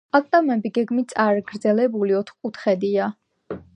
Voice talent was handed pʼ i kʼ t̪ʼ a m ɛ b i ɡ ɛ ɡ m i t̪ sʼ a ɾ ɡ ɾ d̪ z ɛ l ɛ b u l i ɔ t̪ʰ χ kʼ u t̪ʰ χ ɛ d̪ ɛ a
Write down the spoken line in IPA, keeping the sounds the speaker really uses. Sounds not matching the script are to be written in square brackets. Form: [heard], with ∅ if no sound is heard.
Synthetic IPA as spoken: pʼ [a] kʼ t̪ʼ a m ɛ b i ɡ ɛ ɡ m i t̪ sʼ a ɾ ɡ ɾ d̪ z ɛ l ɛ b u l i ɔ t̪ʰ χ kʼ u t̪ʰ χ ɛ d̪ [i] a